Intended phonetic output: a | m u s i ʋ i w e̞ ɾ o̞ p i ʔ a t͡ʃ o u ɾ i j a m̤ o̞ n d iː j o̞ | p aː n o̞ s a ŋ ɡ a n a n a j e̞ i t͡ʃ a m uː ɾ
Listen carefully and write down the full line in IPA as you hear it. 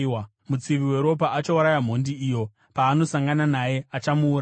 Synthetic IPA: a | m u t͡s i ʋ i w e̞ ɾ o̞ p a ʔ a t͡ʃ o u ɾ a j a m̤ o̞ n d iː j o̞ | p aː n o̞ s a ŋ ɡ a n a n a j e̞ a t͡ʃ a m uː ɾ